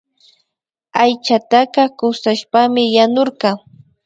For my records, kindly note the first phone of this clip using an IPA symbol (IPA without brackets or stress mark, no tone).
a